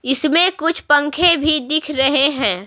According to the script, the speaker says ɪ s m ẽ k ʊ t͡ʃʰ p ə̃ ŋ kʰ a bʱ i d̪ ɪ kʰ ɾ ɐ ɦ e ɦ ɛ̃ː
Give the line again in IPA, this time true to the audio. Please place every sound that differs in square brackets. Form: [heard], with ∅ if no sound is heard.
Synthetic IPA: ɪ s m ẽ k ʊ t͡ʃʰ p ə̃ ŋ kʰ [e] bʱ i d̪ ɪ kʰ ɾ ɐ ɦ e ɦ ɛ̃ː